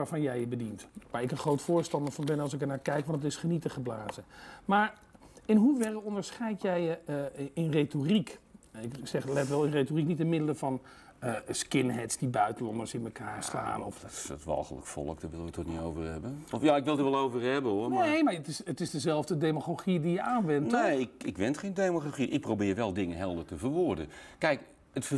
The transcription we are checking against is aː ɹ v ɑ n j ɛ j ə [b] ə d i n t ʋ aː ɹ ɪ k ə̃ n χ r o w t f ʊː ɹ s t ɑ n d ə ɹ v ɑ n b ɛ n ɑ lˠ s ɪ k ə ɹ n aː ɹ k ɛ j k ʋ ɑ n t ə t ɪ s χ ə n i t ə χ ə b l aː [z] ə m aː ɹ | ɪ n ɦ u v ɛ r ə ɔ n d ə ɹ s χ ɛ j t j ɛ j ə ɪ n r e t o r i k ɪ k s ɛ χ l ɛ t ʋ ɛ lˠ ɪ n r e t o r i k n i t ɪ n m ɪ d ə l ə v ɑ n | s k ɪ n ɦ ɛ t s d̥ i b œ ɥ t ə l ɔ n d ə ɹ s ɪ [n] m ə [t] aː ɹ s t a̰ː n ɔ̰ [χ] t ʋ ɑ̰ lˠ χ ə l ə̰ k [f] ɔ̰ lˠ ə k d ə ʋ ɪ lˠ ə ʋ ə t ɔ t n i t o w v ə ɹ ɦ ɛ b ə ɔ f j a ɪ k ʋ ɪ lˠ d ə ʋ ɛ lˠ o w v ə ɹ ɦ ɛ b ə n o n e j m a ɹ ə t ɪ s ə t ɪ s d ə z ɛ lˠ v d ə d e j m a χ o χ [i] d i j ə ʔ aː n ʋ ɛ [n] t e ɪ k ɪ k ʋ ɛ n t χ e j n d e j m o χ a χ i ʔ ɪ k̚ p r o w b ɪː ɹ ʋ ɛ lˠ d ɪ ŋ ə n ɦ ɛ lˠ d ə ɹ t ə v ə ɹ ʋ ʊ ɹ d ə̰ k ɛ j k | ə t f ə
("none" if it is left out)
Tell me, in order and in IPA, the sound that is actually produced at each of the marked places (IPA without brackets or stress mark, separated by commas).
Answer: b, z, n, k, f, f, i, n